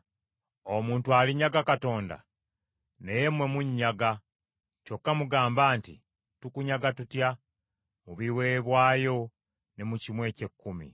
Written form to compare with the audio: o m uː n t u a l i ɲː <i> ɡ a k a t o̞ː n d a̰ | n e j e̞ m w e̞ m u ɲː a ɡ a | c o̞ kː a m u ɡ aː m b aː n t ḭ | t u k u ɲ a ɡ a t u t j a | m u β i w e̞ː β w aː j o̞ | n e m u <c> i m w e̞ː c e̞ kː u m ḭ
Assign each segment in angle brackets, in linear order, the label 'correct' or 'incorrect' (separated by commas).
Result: incorrect, correct